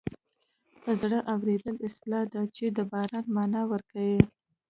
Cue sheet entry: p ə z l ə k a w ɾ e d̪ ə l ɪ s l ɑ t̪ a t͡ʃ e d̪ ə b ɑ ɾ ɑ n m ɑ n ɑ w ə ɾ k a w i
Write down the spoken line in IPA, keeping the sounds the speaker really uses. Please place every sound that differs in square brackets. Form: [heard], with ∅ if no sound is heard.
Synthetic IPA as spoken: p ə z [ɽ] ə [ʔ] a w ɾ e d̪ ə l ɪ s l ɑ [d̪] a t͡ʃ e d̪ ə b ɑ ɾ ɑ n m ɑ n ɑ w ə ɾ k a w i